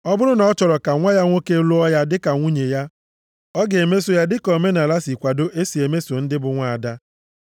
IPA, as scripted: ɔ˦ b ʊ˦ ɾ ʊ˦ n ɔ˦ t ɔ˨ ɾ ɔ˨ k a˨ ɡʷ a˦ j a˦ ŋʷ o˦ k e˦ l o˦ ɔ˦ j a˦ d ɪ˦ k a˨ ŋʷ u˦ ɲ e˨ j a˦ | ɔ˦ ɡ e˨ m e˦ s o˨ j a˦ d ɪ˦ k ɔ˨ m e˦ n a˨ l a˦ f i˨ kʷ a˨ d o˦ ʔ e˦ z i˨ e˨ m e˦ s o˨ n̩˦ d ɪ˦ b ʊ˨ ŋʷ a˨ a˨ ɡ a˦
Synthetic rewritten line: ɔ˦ b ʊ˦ ɾ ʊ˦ n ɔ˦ t͡ʃ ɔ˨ ɾ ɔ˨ k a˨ ŋʷ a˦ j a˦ ŋʷ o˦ k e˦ l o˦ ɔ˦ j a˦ d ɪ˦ k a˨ ŋʷ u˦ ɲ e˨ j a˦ | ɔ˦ ɡ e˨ m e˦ s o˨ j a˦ d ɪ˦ k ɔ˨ m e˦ n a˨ l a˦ s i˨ kʷ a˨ d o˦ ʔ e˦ s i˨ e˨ m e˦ s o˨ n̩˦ d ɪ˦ b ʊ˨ ŋʷ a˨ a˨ d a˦